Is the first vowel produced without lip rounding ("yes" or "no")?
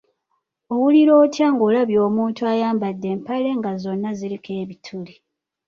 no